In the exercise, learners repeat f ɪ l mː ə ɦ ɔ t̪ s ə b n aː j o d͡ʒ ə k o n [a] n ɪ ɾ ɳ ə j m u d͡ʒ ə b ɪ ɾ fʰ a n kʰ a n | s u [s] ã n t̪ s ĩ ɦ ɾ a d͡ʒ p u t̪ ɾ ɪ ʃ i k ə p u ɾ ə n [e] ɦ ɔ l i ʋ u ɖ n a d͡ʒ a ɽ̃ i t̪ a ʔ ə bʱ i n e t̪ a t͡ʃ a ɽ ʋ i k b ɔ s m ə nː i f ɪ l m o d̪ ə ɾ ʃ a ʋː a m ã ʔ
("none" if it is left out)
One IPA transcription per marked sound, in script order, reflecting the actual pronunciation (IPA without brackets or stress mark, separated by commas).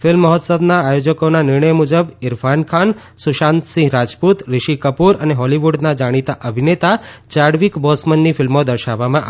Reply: a, ʃ, e